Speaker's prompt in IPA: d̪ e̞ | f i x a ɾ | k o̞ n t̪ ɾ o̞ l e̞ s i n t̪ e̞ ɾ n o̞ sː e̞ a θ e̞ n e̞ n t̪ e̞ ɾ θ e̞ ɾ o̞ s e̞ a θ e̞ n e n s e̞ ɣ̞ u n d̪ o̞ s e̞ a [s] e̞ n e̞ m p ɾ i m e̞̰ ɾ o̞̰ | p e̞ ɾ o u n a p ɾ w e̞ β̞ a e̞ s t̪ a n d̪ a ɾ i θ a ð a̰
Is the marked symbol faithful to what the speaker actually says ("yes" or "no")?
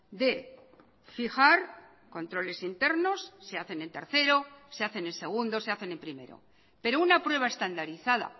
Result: no